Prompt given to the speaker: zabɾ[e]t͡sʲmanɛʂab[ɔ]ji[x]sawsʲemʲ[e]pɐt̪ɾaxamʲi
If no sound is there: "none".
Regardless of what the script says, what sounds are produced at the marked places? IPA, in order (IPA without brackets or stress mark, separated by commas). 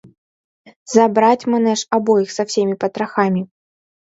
a, ɔ, x, i